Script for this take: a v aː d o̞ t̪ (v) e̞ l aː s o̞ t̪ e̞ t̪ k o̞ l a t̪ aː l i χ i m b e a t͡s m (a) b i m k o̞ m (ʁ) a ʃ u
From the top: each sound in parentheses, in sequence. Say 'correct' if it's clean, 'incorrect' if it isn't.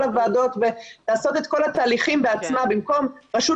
correct, correct, correct

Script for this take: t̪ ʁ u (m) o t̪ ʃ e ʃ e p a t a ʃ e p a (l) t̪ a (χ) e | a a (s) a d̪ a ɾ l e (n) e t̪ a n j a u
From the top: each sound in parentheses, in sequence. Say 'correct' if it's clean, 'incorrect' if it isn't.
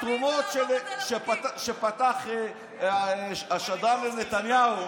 correct, incorrect: none, correct, incorrect: ʃ, correct

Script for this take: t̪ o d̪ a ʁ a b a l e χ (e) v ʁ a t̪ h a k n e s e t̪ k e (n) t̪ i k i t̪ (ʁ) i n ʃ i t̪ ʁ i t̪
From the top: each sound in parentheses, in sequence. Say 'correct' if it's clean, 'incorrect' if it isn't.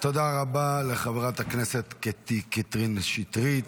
incorrect: a, incorrect: none, correct

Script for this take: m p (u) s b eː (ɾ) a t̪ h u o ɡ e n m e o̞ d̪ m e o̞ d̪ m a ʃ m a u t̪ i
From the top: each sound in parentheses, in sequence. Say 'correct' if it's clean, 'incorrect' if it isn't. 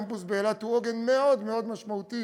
correct, incorrect: l

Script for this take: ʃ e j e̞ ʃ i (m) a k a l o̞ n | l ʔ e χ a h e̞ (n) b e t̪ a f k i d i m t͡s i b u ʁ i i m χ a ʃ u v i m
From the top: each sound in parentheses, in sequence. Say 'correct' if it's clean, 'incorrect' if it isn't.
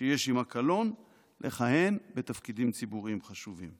correct, correct

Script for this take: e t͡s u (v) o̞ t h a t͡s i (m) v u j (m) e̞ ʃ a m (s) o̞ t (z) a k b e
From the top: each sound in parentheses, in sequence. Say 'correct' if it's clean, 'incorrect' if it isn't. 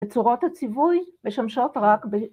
incorrect: ʁ, incorrect: none, correct, incorrect: ʃ, incorrect: ʁ

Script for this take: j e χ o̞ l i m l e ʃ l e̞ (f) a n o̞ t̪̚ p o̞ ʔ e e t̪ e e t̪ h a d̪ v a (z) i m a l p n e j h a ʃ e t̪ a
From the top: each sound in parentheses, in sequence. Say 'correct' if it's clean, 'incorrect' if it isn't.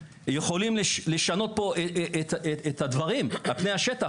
incorrect: ʃ, incorrect: ʁ

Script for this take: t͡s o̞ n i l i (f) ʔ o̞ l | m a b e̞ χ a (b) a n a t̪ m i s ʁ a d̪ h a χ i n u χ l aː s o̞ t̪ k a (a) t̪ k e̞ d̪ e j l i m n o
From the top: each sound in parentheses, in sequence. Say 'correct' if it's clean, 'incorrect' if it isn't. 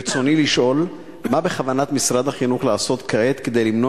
incorrect: ʃ, incorrect: v, incorrect: e

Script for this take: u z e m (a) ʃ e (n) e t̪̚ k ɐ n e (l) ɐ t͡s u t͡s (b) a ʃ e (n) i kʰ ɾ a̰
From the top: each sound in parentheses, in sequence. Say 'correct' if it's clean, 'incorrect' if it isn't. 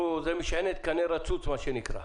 incorrect: i, correct, incorrect: ɾ, incorrect: m, correct

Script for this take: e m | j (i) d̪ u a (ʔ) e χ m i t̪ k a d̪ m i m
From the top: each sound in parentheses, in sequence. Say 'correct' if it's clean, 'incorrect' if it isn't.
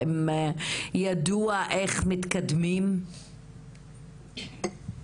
incorrect: a, correct

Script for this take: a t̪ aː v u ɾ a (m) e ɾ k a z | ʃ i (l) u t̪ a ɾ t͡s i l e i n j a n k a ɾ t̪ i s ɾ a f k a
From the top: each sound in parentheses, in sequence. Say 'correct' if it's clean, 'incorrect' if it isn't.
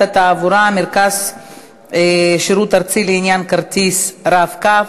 correct, incorrect: ɾ

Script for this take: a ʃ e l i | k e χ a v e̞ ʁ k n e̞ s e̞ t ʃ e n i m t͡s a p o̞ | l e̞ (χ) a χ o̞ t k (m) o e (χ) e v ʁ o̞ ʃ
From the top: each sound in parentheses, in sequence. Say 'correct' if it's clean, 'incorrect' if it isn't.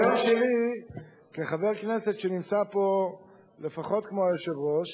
incorrect: f, correct, incorrect: ʃ

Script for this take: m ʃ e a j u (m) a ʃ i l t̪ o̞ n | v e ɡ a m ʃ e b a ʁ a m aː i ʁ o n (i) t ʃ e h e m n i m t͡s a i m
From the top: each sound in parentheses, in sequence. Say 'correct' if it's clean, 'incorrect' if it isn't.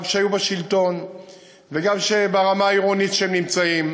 incorrect: b, correct

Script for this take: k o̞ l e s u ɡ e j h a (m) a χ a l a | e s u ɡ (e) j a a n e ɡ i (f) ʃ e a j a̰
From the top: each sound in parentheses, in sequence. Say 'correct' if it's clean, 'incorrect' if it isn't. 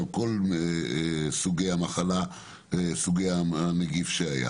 correct, correct, correct

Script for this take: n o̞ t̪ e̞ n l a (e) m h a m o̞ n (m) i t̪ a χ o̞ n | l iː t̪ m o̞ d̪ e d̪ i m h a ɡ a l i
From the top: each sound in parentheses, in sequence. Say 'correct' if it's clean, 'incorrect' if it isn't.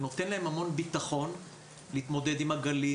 correct, incorrect: b

